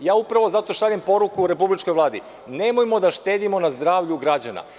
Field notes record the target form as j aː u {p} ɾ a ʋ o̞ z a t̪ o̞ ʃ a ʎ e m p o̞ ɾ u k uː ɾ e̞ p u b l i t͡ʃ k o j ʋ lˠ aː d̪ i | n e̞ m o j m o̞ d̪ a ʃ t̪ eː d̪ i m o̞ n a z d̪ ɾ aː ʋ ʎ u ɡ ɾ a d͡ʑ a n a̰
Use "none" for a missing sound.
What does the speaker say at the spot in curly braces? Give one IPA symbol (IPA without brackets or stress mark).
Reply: p